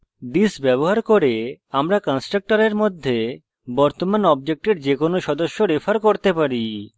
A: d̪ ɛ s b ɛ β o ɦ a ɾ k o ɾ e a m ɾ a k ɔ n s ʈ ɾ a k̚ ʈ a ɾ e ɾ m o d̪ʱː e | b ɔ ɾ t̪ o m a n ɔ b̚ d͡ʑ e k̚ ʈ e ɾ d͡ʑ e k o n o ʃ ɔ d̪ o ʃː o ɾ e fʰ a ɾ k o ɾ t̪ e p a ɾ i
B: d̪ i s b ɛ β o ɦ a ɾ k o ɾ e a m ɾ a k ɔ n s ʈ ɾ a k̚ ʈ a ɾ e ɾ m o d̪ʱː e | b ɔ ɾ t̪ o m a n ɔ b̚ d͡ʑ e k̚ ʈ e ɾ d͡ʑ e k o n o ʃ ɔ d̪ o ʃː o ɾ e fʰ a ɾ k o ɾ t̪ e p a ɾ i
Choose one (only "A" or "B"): B